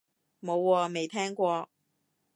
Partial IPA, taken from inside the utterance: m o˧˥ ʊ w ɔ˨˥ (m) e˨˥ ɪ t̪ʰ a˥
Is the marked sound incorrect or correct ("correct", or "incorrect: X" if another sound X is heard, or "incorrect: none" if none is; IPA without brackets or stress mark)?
correct